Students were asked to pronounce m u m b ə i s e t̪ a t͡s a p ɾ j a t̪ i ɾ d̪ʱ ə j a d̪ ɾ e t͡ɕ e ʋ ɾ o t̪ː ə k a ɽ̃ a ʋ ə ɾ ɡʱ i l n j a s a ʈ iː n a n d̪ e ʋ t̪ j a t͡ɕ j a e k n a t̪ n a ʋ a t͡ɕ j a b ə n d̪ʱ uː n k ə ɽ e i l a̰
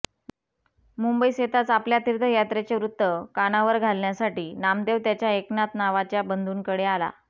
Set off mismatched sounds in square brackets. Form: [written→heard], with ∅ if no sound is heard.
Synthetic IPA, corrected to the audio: m u m b ə i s e t̪ a t͡s a p [ɾ→l] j a t̪ i ɾ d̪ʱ ə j a [d̪→t̪] ɾ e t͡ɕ e ʋ ɾ [o→u] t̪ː ə k a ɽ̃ a ʋ ə ɾ ɡʱ [i→a] l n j a s a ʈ iː n a [n→m] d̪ e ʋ t̪ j a t͡ɕ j a e k n a t̪ n a ʋ a t͡ɕ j a b ə n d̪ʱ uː n k ə ɽ e [i→a] l a̰